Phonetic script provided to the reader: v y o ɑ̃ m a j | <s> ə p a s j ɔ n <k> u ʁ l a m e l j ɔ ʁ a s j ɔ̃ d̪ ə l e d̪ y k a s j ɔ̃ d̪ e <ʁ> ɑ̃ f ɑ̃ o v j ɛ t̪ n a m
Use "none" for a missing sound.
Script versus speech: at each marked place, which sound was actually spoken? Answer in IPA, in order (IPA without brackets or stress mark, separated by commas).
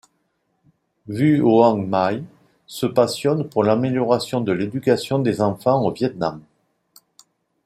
s, p, z